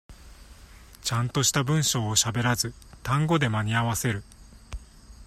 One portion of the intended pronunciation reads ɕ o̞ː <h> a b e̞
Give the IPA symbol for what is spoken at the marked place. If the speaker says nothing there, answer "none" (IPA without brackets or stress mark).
ɕ